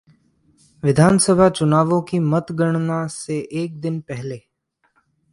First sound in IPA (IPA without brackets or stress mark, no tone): ʋ